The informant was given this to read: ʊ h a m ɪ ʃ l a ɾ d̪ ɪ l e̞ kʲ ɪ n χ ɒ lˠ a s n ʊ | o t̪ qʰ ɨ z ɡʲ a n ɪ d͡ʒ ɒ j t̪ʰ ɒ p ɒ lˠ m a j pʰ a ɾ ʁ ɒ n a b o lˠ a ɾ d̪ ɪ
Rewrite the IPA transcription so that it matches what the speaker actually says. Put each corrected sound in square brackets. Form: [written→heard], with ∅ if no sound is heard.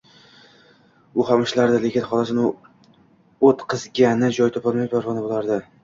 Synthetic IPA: ʊ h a m ɪ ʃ l a ɾ d̪ ɪ l e̞ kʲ ɪ n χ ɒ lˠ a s n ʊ | o t̪ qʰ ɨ z ɡʲ a n ɪ d͡ʒ ɒ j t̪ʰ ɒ p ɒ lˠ m a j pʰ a ɾ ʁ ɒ n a b o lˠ a ɾ d̪ ɪ